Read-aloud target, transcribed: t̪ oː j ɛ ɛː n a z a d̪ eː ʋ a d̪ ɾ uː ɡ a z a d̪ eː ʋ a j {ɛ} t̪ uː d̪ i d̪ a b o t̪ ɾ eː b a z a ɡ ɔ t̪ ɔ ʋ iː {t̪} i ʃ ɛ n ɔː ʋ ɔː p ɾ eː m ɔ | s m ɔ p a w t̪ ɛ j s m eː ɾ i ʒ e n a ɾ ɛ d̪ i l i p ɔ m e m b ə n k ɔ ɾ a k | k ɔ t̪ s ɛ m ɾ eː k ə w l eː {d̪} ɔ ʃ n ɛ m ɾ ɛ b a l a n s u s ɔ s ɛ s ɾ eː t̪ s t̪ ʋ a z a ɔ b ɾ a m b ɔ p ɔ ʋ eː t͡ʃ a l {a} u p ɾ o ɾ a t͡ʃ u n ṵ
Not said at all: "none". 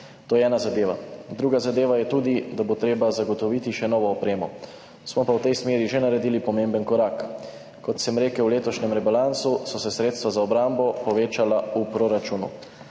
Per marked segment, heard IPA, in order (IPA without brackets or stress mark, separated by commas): ɛ, t̪, t̪, a